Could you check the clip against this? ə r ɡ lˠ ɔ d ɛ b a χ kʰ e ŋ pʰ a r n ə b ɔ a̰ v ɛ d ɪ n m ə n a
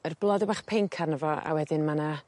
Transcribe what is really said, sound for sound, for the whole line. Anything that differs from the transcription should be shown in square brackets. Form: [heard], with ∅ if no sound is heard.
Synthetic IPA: ə r [b] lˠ ɔ d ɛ b a χ [pʰ] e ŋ [kʰ] a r n ə [v] ɔ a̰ [w] ɛ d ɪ n m [a] n a